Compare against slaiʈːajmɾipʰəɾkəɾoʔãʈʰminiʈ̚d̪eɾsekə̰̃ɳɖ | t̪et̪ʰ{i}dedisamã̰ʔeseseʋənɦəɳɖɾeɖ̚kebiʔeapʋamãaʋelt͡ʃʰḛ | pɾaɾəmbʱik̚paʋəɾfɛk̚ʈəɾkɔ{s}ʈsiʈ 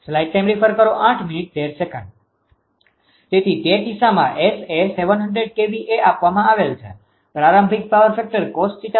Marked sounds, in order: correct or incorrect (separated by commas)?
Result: correct, correct